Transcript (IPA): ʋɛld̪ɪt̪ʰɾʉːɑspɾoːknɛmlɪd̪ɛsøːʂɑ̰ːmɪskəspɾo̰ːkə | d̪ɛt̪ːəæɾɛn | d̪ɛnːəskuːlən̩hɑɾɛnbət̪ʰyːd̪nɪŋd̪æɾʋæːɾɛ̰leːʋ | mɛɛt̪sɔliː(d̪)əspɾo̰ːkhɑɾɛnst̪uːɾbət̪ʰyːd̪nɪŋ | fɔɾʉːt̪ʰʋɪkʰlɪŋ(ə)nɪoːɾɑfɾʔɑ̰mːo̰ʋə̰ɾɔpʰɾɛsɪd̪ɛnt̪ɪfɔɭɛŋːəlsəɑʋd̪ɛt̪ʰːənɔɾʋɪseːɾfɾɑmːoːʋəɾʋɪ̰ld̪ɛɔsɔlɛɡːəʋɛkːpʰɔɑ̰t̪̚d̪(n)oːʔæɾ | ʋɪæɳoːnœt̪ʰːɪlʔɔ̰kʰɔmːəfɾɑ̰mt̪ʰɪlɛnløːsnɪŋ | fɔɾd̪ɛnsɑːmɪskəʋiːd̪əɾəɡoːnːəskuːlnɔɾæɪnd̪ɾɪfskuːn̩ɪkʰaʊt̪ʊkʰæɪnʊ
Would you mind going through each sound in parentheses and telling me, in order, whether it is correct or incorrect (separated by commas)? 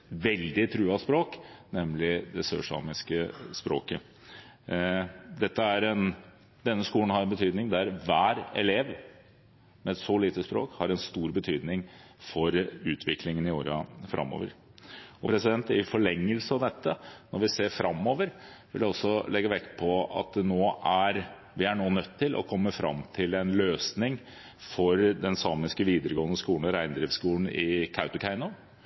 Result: incorrect, correct, correct